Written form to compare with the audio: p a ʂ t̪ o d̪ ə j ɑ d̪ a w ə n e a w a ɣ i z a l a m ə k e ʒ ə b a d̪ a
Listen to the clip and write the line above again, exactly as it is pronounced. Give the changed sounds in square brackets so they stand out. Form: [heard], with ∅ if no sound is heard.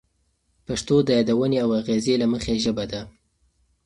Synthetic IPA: p a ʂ t̪ o d̪ ə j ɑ d̪ a w ə n e a w a ɣ [e] z [e] l a m ə [x] e ʒ ə b a d̪ a